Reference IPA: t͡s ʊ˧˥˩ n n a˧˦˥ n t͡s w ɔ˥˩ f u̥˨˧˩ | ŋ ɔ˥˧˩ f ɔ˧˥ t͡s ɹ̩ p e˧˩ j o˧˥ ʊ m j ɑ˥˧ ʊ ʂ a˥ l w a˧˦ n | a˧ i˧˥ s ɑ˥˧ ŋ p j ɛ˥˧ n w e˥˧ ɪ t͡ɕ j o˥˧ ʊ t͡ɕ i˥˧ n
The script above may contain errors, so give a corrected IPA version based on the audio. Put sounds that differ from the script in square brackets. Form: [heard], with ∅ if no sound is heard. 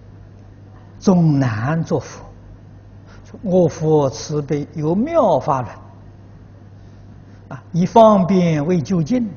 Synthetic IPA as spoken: t͡s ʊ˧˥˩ [ŋ] n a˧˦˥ n t͡s w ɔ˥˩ f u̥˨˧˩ | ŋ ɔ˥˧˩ f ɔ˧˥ [t͡sʰ] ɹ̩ p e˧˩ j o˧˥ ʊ m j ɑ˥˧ ʊ [f] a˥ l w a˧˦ n | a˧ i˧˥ [f] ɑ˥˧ ŋ p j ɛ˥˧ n w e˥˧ ɪ t͡ɕ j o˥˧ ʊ t͡ɕ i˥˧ n